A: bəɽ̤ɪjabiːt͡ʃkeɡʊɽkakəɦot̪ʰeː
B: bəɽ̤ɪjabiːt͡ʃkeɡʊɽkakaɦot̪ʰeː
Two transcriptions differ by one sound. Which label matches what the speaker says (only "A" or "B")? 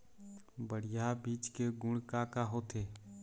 B